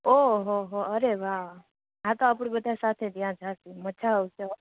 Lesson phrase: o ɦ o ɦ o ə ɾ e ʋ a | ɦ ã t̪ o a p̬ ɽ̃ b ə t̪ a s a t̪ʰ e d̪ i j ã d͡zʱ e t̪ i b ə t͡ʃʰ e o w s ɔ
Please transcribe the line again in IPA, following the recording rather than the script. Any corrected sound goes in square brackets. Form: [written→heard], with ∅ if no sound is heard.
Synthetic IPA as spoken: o ɦ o ɦ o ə ɾ e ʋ a | ɦ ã t̪ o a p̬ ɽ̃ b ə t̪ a s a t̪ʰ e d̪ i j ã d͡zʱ [e→a] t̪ i [b→m] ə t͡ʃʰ [e→a] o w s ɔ

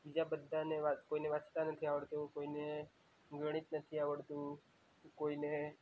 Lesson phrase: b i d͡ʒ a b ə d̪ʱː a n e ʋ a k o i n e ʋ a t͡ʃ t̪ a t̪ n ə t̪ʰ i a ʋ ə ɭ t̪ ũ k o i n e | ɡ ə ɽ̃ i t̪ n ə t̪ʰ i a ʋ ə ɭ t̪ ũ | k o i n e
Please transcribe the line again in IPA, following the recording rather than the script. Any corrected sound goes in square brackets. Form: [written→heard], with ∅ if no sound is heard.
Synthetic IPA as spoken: b i d͡ʒ a b ə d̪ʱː a n e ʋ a k o i n e ʋ a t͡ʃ t̪ a [t̪→∅] n ə t̪ʰ i a ʋ ə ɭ t̪ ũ k o i n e | ɡ ə ɽ̃ i t̪ n ə t̪ʰ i a ʋ ə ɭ t̪ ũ | k o i n e

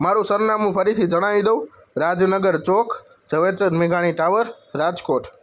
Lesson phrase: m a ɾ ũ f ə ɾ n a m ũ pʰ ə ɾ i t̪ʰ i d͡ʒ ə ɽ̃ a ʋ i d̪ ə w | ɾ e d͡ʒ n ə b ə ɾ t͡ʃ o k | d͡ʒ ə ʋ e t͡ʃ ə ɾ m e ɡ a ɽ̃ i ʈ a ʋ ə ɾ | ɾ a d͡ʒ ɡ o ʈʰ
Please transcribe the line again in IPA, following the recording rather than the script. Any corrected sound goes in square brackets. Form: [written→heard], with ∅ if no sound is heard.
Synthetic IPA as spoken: m a ɾ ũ [f→s] ə ɾ n a m ũ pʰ ə ɾ i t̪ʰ i d͡ʒ ə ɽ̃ a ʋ i d̪ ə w | ɾ [e→a] d͡ʒ n ə [b→ɡ] ə ɾ t͡ʃ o k | d͡ʒ ə ʋ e t͡ʃ ə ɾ m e ɡ a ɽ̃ i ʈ a ʋ ə ɾ | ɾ a d͡ʒ [ɡ→k] o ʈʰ

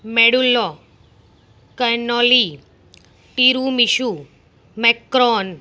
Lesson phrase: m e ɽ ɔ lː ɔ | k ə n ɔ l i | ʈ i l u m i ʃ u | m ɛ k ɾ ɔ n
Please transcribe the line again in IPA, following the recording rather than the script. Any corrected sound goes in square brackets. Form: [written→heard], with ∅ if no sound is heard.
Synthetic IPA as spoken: m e ɽ [ɔ→u] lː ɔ | k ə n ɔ l i | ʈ i [l→ɾ] u m i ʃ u | m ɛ k ɾ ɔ n

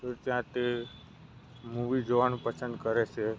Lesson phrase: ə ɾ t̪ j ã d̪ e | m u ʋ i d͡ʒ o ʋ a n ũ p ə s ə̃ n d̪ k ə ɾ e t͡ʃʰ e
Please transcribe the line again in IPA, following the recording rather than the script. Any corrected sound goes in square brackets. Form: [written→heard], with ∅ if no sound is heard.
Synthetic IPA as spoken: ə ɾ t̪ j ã [d̪→t̪] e | m u ʋ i d͡ʒ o ʋ a n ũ p ə s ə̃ n d̪ k ə ɾ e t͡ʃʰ e

